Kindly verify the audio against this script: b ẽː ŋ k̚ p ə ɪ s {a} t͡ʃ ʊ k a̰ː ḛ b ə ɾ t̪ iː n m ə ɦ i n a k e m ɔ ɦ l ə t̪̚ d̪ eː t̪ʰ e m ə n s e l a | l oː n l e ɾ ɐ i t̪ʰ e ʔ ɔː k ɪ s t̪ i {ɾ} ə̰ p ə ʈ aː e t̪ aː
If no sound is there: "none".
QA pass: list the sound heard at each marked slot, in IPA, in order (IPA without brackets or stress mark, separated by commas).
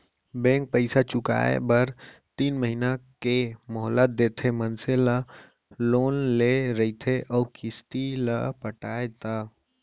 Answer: a, l